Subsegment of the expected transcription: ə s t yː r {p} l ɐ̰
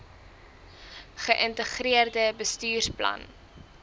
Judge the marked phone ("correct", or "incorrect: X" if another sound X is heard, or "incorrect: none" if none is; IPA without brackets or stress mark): correct